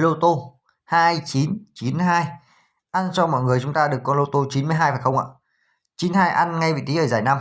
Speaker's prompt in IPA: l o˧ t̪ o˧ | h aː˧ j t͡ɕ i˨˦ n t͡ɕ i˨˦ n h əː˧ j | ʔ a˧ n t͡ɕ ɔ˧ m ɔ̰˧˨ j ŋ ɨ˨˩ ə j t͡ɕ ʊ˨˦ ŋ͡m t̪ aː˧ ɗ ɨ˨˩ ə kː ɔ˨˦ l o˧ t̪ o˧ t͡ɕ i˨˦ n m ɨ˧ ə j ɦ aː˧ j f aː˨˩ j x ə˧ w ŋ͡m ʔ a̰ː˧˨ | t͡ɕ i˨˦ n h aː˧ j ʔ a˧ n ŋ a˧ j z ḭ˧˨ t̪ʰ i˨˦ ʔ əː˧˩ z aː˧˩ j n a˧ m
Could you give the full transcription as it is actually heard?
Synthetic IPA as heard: l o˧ t̪ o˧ | h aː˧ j t͡ɕ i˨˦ n t͡ɕ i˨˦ n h aː˧ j | ʔ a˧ n t͡ɕ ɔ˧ m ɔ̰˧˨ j ŋ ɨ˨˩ ə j t͡ɕ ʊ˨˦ ŋ͡m t̪ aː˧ ɗ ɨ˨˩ ə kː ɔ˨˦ l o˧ t̪ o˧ t͡ɕ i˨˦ n m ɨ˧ ə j ɦ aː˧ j f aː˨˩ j x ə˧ w ŋ͡m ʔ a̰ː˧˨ | t͡ɕ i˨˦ n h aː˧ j ʔ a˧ n ŋ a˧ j v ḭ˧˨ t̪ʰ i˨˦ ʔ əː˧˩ z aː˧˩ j n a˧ m